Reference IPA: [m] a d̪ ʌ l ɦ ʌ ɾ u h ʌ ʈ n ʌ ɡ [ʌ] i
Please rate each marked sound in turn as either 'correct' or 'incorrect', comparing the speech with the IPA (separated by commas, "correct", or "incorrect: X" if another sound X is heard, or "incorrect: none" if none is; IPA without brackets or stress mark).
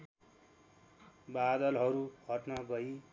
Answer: incorrect: b, correct